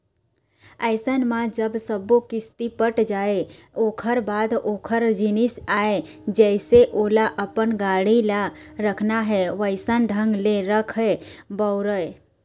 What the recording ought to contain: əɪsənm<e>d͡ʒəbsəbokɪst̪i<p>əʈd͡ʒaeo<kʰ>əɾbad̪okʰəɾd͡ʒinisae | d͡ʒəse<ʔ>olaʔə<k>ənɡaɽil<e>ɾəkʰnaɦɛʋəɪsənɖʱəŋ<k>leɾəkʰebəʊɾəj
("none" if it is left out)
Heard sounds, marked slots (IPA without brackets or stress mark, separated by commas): a, p, kʰ, ʔ, p, a, ɡ